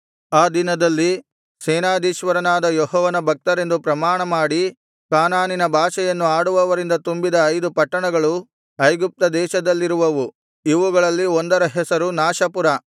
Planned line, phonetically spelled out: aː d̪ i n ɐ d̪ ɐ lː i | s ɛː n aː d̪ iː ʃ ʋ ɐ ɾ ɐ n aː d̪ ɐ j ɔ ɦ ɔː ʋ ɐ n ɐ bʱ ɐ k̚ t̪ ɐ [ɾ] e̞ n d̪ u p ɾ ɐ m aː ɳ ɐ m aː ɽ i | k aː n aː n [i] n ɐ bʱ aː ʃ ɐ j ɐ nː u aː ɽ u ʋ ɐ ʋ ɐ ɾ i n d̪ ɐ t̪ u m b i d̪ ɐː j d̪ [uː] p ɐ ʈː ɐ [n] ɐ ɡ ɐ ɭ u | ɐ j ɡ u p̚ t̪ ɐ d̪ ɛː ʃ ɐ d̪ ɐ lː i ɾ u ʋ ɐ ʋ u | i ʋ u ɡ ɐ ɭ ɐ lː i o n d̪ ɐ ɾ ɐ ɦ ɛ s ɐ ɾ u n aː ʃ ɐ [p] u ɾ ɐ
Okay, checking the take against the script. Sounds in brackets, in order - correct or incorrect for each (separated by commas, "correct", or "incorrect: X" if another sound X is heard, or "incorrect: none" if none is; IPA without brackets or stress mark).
correct, correct, incorrect: u, incorrect: ɳ, correct